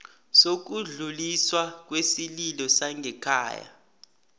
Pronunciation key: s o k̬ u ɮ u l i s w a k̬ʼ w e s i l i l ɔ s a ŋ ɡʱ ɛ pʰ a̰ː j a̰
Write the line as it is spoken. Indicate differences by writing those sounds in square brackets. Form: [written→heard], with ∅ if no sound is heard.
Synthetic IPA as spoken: s o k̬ u ɮ u l i s w a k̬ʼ w e s i l i l ɔ s a ŋ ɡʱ ɛ [pʰ→kʰ] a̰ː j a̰